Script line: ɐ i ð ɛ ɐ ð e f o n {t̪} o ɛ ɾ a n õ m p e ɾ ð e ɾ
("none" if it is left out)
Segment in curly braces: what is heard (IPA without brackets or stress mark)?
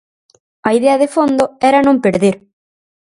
d̪